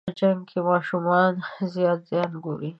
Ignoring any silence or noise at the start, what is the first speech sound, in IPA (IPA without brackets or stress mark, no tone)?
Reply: d͡ʒ